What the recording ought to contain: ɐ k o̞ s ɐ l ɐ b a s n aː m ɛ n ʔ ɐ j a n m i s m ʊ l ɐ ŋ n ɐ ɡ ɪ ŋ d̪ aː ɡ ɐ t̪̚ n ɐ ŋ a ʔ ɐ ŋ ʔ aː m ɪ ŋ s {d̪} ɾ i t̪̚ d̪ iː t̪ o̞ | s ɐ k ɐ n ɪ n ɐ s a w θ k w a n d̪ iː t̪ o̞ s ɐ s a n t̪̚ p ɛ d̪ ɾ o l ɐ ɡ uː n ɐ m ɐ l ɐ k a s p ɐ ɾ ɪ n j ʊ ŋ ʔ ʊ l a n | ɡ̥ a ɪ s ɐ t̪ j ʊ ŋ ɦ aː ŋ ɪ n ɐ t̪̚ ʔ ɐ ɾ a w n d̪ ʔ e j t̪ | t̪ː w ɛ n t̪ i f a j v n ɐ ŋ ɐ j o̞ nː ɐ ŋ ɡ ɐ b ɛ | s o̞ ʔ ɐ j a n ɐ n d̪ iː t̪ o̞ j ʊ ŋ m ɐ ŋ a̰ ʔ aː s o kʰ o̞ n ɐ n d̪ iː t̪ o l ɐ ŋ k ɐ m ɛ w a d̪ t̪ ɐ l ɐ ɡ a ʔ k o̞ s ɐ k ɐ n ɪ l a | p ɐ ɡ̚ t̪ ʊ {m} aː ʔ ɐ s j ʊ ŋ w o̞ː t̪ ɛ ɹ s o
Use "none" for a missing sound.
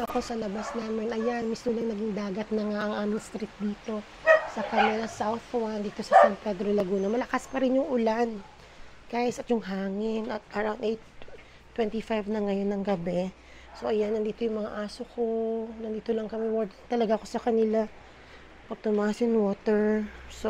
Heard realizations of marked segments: t̪, m

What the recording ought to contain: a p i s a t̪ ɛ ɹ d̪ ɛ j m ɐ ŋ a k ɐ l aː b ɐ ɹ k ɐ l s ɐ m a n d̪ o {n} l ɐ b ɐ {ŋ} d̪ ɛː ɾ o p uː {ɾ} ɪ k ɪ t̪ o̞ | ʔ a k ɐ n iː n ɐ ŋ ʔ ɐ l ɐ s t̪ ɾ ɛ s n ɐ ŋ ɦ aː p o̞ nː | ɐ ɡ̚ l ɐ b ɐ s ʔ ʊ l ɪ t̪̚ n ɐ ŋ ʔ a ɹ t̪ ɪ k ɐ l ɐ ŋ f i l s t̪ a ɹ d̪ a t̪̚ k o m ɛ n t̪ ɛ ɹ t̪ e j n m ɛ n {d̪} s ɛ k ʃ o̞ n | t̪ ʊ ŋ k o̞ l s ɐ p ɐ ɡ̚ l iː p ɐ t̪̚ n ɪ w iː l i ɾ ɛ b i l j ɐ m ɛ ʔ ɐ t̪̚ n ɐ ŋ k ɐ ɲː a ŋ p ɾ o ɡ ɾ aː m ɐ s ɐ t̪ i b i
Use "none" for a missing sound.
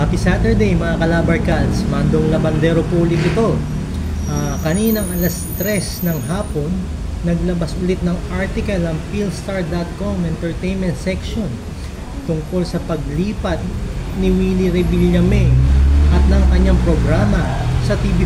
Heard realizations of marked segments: ŋ, n, l, t̪

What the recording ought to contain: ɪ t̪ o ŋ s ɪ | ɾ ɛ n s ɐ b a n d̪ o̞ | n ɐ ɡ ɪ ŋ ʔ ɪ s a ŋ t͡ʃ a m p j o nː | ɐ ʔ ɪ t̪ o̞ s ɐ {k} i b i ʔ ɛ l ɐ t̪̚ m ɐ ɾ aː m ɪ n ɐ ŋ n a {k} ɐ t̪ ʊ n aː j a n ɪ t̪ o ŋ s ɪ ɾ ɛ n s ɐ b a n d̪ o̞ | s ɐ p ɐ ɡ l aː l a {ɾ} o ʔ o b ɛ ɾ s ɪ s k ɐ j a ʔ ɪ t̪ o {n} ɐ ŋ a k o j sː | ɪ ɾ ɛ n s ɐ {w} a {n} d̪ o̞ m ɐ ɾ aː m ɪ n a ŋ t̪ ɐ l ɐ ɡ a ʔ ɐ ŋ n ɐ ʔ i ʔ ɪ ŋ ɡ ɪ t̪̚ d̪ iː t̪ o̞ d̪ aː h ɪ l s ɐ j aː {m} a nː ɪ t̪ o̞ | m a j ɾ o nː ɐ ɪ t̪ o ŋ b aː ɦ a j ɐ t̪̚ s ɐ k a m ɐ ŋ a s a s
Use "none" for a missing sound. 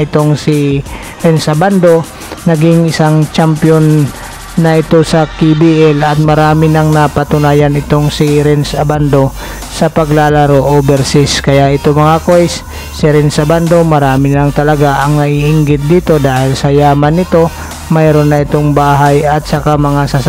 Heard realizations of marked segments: k, p, ɾ, m, b, n, m

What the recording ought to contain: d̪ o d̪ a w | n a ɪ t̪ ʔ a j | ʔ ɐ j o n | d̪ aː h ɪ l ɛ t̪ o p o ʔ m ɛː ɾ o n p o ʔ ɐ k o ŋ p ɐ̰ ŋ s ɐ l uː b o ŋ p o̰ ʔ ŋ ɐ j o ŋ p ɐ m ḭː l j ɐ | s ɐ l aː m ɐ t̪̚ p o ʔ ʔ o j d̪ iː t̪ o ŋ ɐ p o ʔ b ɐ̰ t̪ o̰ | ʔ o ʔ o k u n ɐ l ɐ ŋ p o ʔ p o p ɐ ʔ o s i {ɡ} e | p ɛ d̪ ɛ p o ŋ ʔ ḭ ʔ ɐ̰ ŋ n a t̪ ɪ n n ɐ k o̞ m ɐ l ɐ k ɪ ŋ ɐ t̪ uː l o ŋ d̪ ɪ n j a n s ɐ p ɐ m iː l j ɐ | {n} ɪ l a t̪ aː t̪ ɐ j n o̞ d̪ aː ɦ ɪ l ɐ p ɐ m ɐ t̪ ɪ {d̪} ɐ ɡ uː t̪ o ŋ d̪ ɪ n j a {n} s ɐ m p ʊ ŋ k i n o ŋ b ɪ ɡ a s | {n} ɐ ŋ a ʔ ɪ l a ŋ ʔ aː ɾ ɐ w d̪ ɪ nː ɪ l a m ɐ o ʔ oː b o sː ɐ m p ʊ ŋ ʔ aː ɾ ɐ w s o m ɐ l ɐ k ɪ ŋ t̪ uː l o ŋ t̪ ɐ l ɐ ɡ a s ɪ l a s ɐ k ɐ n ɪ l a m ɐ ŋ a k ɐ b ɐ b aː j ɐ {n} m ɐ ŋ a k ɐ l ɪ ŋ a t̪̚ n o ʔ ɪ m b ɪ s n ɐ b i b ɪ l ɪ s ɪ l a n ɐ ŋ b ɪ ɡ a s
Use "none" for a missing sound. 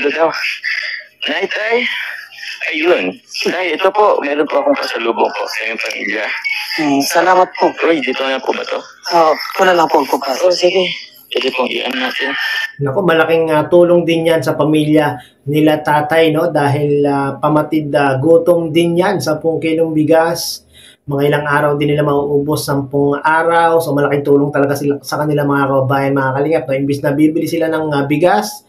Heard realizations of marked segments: ɡ, n, d̪, n, m, n

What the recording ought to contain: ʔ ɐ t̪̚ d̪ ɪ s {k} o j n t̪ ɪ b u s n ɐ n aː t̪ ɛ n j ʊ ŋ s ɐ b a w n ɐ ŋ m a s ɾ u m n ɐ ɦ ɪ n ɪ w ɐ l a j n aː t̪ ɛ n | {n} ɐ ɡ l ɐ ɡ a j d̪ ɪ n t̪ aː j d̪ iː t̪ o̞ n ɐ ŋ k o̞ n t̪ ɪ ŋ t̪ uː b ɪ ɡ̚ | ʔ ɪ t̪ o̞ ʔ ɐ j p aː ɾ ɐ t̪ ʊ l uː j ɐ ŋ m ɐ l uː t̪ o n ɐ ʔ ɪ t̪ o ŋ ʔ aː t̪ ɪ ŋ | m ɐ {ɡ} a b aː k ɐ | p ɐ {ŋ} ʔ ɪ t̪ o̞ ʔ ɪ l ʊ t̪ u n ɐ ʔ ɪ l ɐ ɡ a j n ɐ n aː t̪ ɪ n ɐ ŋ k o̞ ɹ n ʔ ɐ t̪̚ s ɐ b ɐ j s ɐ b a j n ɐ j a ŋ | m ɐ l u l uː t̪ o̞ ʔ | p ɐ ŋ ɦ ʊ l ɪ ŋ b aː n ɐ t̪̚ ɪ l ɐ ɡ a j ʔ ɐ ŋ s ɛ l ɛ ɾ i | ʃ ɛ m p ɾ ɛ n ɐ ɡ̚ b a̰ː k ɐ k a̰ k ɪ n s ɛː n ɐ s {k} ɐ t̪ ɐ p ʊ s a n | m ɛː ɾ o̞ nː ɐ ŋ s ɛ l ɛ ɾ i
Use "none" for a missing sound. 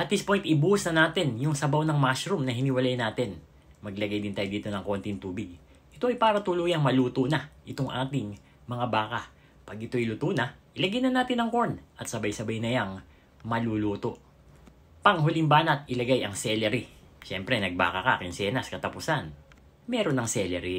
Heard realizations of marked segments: p, m, ŋ, ɡ, k

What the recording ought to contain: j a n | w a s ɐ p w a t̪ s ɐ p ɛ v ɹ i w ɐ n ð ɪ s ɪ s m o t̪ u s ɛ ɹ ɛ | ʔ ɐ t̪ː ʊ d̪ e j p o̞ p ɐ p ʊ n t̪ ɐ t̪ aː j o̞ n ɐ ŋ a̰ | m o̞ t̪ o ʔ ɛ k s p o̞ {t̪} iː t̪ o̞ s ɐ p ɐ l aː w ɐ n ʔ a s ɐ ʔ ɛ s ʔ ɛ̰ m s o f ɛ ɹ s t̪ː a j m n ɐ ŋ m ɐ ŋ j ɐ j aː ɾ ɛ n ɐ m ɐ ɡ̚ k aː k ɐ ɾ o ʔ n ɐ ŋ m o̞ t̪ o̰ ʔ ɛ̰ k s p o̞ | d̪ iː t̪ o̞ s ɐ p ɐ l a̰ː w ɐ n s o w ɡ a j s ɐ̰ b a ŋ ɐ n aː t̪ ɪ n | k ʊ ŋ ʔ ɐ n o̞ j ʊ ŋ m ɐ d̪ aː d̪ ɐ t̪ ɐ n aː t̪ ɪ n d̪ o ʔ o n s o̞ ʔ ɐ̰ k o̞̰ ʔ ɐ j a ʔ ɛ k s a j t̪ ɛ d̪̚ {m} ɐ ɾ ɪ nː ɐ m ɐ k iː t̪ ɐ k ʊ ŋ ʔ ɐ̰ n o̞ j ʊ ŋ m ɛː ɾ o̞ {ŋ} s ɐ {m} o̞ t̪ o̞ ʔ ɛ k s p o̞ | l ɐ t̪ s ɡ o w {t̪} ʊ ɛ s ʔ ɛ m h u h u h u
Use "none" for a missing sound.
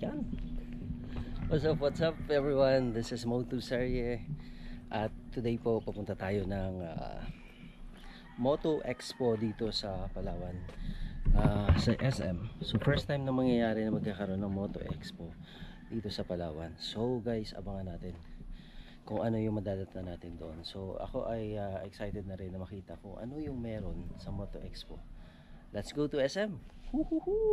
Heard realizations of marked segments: d̪, n, n, m, t̪

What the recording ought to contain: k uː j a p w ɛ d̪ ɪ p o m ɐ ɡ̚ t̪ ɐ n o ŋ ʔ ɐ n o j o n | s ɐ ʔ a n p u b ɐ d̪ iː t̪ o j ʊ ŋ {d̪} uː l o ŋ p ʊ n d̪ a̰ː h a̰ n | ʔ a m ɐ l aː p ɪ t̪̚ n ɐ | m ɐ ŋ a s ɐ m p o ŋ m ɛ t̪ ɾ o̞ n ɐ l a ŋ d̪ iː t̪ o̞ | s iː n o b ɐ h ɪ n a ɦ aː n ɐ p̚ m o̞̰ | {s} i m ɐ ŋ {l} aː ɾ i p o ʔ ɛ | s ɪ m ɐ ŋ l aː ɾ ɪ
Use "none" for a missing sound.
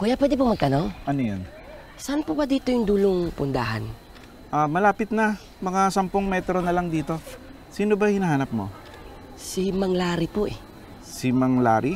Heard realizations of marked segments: d̪, s, l

